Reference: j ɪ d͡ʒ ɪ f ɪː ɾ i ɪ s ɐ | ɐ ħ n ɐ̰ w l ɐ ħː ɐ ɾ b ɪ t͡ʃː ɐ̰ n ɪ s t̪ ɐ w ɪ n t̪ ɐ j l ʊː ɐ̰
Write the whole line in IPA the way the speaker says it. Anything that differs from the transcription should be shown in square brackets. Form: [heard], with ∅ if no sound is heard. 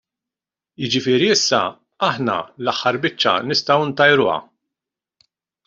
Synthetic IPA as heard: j ɪ d͡ʒ ɪ f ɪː ɾ i ɪ [sː] ɐ | ɐ ħ n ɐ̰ [∅] l ɐ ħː ɐ ɾ b ɪ t͡ʃː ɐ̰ n ɪ s t̪ ɐ w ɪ n t̪ ɐ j [ɾ] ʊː ɐ̰

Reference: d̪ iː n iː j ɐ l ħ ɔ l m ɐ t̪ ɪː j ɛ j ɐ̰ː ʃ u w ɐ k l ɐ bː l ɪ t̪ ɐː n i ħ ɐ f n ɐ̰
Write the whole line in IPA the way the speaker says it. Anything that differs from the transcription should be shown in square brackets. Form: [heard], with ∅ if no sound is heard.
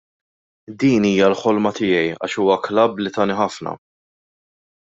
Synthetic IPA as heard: d̪ iː n iː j ɐ l ħ ɔ l m ɐ t̪ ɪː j ɛ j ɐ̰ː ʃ [uː] w ɐ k l ɐ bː l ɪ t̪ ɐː n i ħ ɐ f n ɐ̰

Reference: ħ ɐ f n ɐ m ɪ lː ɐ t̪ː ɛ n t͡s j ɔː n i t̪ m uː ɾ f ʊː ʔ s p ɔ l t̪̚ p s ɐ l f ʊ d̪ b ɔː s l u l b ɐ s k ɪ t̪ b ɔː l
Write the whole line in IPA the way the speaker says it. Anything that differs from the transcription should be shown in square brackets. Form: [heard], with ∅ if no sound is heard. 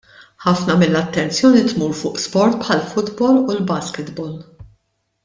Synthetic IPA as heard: ħ ɐ f n ɐ m ɪ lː ɐ t̪ː ɛ n t͡s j ɔː n i t̪ m uː ɾ f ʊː ʔ s p ɔ [ɾ] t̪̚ p [ħ] ɐ l f ʊ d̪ b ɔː [∅] l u l b ɐ s k ɪ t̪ b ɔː l

